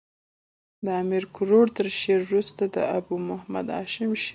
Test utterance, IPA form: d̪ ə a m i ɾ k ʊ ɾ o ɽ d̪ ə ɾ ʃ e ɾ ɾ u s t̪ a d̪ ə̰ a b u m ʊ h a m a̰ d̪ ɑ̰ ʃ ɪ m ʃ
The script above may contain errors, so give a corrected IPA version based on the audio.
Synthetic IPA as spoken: d̪ ə a m i ɾ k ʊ ɾ o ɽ t̪ ə ɾ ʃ e ɾ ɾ u s t̪ a d̪ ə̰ a b u m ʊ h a m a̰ d̪ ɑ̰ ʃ ɪ m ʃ